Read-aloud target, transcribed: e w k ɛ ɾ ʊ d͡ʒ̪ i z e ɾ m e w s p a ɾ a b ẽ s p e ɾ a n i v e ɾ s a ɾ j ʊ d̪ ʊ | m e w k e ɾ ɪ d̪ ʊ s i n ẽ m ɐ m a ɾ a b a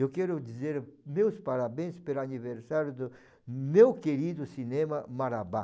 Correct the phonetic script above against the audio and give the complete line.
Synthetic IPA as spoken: e w k ɛ ɾ ʊ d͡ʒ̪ i z e ɾ m e w s p a ɾ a b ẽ s p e ɾ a n i v e ɾ s a ɾ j ʊ d̪ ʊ | m e w k e ɾ i d̪ ʊ s i n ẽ m ɐ m a ɾ a b a